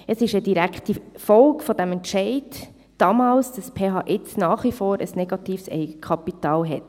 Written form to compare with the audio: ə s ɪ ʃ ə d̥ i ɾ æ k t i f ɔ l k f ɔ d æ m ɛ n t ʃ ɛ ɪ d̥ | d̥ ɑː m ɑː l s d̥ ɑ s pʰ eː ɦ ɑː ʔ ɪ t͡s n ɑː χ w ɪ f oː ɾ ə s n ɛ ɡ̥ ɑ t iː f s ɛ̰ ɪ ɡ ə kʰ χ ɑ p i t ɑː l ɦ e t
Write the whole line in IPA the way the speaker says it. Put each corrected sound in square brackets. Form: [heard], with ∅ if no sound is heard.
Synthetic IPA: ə s ɪ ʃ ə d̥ i ɾ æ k t i f ɔ l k f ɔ d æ m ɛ n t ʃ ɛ ɪ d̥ | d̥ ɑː m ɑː l s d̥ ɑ s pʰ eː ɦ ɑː ʔ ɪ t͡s n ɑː χ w [i] f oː ɾ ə s n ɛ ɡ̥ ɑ t iː f s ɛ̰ ɪ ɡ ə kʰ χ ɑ p i t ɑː l ɦ [ɛ] t